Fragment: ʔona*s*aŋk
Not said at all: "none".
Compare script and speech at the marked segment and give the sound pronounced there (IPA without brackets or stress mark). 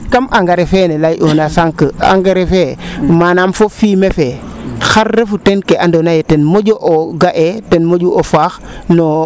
s